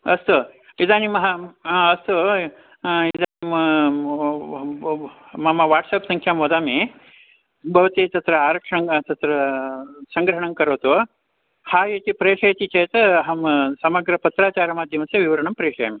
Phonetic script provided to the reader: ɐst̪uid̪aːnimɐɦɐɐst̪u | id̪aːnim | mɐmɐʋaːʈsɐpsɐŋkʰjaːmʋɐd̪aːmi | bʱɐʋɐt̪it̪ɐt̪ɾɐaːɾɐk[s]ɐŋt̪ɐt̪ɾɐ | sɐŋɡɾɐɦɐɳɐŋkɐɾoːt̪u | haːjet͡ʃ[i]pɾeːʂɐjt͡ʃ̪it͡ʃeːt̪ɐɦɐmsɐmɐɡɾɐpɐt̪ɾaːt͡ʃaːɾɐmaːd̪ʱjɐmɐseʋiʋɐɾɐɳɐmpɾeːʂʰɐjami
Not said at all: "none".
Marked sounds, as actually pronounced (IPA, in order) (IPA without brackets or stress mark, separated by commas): ʂ, i